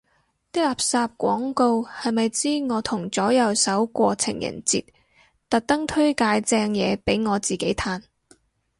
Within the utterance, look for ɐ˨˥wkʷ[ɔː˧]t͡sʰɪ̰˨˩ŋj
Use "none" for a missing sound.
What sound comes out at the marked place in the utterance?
ɔː˧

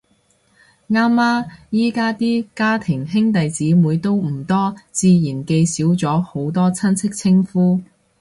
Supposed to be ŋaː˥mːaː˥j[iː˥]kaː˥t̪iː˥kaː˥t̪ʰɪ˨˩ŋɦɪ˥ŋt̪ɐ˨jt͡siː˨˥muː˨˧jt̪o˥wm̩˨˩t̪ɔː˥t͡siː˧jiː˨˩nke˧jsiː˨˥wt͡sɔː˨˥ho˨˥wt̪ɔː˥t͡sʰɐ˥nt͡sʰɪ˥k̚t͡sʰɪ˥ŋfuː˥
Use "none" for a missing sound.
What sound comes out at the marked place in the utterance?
iː˥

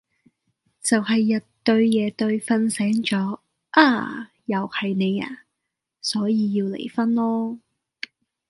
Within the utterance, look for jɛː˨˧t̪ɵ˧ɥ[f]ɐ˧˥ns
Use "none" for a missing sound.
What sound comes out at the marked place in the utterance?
f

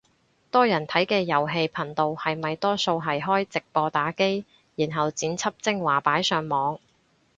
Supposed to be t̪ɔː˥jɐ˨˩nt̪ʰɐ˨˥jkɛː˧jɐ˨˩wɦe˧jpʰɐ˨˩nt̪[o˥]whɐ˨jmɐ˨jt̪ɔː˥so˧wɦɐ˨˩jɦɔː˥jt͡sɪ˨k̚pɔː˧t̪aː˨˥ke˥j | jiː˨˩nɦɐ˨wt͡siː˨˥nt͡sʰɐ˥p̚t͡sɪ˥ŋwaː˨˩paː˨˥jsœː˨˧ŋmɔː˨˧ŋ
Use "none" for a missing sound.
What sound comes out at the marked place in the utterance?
o˨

